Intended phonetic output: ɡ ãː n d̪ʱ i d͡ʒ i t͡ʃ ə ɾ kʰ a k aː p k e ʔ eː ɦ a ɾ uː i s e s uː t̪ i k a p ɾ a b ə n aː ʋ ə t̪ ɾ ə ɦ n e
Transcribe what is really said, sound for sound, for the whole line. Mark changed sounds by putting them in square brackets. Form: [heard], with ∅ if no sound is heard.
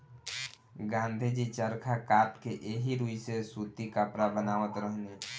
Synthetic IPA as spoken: ɡ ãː n d̪ʱ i d͡ʒ i t͡ʃ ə ɾ kʰ a k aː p k e ʔ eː ɦ [i] ɾ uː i s e s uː t̪ i k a p ɾ a b ə n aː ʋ ə t̪ ɾ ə ɦ n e